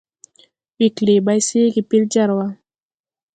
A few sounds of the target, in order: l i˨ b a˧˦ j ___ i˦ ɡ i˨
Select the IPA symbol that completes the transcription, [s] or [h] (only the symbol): s